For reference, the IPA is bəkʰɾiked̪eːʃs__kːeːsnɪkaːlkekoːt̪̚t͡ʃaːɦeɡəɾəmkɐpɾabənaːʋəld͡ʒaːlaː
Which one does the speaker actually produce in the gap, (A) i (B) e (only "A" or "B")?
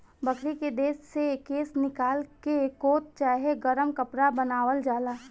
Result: B